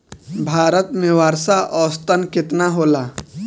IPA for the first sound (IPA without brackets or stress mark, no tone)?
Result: bʱ